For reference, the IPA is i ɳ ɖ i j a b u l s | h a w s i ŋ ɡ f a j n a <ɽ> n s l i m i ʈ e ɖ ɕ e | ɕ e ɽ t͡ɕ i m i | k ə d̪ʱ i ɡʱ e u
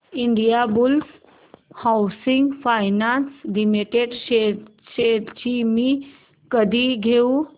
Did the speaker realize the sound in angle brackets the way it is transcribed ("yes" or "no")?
no